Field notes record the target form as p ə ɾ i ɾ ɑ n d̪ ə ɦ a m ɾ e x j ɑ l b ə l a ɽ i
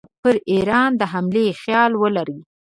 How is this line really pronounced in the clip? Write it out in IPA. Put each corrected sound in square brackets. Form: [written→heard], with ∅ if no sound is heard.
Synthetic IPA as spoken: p ə ɾ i ɾ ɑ n d̪ ə ɦ a m [ɾ→l] e x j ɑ l [b→w] ə l a [ɽ→ɾ] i